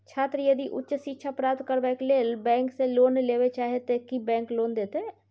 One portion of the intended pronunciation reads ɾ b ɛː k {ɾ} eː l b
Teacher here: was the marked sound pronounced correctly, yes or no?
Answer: no